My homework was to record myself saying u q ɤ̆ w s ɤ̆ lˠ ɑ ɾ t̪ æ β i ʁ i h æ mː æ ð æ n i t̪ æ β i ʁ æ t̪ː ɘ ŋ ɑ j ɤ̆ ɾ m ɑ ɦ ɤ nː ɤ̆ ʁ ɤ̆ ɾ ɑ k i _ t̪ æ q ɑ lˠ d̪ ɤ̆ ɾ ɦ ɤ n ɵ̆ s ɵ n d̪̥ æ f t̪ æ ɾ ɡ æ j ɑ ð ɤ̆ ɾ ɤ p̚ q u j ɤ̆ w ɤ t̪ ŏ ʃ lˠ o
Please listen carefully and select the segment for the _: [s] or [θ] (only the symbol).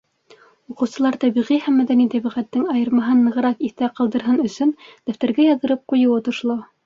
θ